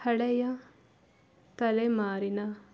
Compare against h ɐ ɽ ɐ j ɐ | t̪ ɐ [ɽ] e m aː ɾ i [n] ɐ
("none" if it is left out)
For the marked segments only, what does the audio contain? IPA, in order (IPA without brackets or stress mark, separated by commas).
l, n